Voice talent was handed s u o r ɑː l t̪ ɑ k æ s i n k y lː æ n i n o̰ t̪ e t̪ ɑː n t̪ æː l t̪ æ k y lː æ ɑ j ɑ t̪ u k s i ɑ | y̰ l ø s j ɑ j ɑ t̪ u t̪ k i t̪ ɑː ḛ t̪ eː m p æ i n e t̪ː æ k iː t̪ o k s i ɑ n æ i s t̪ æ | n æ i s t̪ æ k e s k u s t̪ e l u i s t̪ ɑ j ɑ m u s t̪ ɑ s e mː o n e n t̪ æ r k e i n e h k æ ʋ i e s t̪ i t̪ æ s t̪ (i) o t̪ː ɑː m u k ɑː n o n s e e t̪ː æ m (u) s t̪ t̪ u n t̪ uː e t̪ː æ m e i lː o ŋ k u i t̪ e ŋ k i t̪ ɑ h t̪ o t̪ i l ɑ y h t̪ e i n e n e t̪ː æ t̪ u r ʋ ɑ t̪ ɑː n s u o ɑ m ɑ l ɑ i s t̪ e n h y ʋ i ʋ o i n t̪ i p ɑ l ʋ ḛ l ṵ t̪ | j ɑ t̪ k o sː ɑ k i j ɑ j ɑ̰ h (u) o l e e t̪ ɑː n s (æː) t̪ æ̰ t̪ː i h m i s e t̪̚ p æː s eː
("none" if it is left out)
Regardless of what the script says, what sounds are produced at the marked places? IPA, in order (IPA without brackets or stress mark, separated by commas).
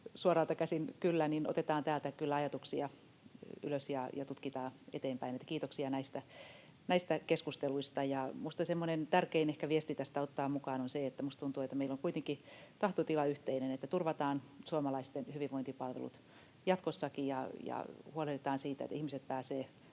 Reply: æ, u, u, iː